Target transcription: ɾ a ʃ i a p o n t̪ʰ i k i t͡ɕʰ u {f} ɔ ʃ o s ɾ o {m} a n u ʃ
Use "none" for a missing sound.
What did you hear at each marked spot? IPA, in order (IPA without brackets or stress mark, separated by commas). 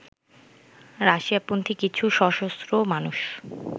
ʃ, m